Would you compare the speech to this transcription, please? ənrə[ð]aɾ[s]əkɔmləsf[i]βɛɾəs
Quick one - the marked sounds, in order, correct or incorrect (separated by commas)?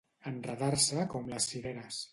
correct, correct, correct